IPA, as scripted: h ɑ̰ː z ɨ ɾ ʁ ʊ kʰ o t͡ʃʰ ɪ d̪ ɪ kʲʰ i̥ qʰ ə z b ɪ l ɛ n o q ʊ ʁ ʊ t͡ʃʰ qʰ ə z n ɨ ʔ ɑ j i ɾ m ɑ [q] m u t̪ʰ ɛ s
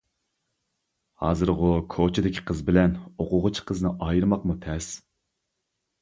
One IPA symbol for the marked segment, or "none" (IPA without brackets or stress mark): q